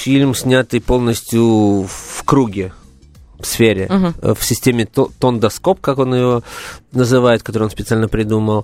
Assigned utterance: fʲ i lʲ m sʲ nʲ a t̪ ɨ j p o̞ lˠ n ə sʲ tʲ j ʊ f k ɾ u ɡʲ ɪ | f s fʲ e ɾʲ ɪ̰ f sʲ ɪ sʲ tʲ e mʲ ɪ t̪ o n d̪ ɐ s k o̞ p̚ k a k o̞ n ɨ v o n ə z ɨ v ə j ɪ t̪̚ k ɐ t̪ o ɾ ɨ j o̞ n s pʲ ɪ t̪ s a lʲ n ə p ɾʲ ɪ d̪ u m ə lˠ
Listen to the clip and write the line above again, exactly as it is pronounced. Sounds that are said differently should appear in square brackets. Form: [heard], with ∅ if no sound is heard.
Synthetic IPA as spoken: fʲ i lʲ m sʲ nʲ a t̪ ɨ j p o̞ lˠ n ə sʲ tʲ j ʊ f k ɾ u ɡʲ ɪ | f s fʲ e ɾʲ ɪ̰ f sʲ ɪ sʲ tʲ e mʲ ɪ t̪ o n d̪ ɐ s k o̞ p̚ k a k o̞ n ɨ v o n ə z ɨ v [a] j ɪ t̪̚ k ɐ t̪ o ɾ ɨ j o̞ n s pʲ ɪ t̪ s a lʲ n ə p ɾʲ ɪ d̪ u m ə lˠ